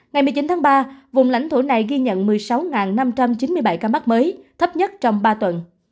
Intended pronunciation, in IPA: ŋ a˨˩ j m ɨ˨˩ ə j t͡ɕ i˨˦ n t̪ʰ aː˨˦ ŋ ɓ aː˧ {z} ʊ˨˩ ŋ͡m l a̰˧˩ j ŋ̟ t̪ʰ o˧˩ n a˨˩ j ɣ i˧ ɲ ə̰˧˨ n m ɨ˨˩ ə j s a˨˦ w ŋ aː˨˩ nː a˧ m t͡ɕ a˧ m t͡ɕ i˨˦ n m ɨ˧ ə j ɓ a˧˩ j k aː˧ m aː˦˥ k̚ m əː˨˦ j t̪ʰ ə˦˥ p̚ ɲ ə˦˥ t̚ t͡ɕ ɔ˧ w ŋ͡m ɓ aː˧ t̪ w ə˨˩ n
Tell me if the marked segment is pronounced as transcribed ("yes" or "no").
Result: no